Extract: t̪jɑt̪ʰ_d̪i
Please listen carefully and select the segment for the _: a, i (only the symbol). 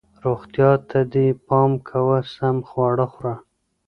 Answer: a